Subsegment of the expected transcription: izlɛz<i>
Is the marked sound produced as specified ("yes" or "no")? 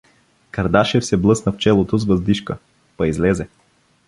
no